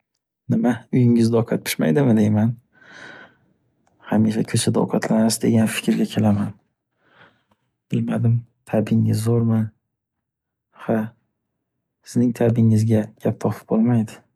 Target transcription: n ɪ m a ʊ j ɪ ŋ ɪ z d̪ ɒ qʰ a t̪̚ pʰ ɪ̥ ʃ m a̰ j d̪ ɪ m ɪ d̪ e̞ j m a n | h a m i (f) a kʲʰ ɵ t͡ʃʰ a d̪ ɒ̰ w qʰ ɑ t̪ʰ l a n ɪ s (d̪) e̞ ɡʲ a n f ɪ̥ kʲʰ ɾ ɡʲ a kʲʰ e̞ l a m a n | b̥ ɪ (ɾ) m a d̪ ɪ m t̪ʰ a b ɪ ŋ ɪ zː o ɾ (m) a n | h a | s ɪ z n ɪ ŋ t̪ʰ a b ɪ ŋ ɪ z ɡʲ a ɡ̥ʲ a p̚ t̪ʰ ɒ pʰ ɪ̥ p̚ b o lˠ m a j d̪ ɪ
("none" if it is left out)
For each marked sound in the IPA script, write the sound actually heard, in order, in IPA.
ʃ, d̪, l, m

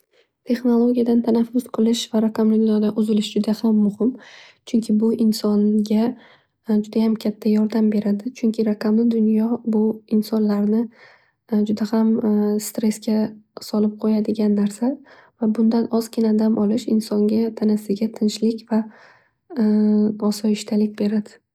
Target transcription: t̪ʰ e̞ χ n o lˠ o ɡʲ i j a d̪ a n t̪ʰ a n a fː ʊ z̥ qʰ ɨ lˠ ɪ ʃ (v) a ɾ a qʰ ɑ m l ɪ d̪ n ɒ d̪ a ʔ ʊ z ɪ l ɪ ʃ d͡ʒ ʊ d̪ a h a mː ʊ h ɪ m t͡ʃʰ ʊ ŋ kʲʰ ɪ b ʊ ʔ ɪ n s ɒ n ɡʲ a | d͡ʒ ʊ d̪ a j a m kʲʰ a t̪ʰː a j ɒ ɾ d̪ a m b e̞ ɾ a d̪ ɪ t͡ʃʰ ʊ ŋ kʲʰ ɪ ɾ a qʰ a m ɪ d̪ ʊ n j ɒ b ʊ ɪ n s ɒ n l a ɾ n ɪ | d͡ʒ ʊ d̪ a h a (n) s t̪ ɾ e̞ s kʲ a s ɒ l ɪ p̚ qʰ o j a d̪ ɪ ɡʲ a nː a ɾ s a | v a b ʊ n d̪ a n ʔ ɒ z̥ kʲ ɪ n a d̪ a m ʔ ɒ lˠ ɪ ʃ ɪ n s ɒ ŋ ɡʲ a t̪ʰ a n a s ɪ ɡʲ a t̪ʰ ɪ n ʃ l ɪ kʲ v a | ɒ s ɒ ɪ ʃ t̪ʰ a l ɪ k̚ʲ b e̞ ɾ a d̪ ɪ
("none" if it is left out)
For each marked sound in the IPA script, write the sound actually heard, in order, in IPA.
v, m

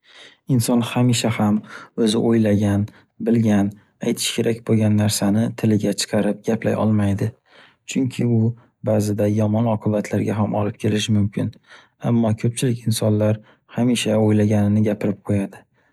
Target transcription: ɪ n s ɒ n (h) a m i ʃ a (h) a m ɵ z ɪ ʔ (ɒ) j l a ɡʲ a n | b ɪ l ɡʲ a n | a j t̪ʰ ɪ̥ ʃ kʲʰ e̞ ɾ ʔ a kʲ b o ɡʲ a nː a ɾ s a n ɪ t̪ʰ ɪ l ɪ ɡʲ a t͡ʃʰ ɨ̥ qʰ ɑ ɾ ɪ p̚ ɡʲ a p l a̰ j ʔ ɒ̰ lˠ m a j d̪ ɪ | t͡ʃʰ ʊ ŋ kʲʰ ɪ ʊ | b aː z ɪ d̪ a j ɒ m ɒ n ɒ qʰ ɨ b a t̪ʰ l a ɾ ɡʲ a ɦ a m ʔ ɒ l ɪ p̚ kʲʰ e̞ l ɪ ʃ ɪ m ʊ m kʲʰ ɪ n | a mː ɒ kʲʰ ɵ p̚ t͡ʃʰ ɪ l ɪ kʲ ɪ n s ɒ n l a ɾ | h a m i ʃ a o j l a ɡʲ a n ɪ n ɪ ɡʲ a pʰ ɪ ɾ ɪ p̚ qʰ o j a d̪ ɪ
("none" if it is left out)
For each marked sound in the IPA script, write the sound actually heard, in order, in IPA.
h, h, o

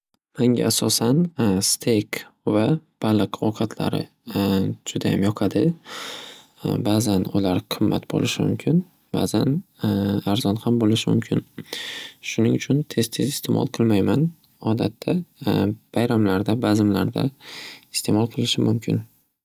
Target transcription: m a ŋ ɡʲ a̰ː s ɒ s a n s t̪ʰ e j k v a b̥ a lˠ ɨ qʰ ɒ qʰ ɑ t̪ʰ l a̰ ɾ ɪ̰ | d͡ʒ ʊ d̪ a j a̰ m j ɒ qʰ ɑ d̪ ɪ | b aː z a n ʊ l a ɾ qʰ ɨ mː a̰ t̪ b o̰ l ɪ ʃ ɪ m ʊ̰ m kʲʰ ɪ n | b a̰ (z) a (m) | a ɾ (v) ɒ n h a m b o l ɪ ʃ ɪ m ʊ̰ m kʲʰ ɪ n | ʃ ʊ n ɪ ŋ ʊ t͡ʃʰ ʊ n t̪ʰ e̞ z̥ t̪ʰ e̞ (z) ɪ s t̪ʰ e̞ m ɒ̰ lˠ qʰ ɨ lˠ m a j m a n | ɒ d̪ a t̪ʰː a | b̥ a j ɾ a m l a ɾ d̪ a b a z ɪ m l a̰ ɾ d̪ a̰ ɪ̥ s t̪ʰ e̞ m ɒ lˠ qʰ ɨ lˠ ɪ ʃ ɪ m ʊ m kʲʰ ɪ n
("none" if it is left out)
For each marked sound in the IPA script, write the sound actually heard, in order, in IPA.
z, n, z, z

